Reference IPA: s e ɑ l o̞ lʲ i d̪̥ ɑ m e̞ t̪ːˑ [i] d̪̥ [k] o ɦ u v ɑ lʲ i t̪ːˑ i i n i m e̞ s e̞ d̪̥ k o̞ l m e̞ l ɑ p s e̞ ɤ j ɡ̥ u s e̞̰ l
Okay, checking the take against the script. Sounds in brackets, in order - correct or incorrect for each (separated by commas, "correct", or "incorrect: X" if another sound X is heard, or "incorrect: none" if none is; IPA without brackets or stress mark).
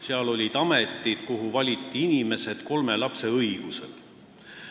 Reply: correct, correct